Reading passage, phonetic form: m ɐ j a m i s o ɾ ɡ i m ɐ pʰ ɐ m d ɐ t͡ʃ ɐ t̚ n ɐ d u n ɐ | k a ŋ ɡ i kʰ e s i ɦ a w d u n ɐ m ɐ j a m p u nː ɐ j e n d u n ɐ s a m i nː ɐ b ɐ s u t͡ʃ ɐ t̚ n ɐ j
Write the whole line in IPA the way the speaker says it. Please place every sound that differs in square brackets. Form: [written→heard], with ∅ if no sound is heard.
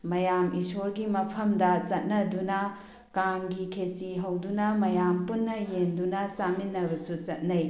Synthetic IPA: m ɐ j a m i s o ɾ ɡ i m ɐ pʰ ɐ m d ɐ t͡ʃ ɐ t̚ n ɐ d u n ɐ | k a ŋ ɡ i kʰ e s i ɦ [a→ɐ] w d u n ɐ m ɐ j a m p u nː ɐ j e n d u n ɐ s a m i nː ɐ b ɐ s u t͡ʃ ɐ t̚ n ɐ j